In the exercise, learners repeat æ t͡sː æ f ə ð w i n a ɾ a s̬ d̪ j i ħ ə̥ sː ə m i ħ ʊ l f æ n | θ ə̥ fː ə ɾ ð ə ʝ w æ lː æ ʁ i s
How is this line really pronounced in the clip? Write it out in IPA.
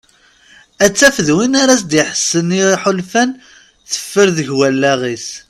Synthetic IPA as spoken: æ t͡sː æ f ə ð w i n a ɾ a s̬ d̪ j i ħ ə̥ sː ə n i ħ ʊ l f æ n | θ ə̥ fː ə ɾ ð ə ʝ w æ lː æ ʁ i s